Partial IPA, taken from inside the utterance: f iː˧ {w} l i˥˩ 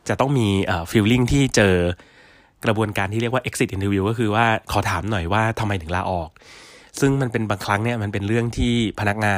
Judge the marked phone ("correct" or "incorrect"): correct